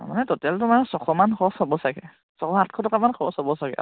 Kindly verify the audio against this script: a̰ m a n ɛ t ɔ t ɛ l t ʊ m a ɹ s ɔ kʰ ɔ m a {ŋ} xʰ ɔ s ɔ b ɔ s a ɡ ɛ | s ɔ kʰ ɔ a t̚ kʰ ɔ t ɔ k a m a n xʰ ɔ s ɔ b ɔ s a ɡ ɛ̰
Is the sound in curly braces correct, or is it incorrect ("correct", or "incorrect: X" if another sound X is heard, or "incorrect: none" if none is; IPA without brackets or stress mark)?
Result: incorrect: n